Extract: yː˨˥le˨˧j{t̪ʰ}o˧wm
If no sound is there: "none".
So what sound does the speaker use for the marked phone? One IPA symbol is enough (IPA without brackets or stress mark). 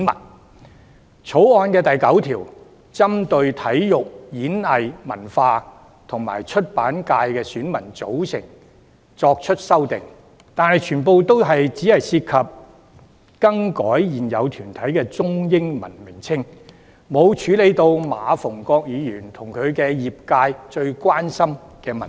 t̪